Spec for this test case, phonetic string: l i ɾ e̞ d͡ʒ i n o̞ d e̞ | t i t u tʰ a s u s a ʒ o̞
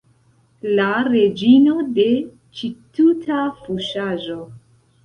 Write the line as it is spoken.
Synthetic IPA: l a ɾ e̞ d͡ʒ i n o̞ d e̞ | t͡ʃ i t u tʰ a f u ʃ a ʒ o̞